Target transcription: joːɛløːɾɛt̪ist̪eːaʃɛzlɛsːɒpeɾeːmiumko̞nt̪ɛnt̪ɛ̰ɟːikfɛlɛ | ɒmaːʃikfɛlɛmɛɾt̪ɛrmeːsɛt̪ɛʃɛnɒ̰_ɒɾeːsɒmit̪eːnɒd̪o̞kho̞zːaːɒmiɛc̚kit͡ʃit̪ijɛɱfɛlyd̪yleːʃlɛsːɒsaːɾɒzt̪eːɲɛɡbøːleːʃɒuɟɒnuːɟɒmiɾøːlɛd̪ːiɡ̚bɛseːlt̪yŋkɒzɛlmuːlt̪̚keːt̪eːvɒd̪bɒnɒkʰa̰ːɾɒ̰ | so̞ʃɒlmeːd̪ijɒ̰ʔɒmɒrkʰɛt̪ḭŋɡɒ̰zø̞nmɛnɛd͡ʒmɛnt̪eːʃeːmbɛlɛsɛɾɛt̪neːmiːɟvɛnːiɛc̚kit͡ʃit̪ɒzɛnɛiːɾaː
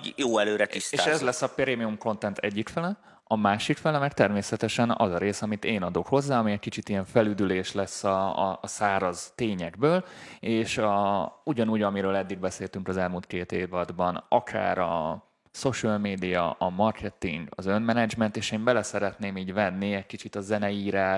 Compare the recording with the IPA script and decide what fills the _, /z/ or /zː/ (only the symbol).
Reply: z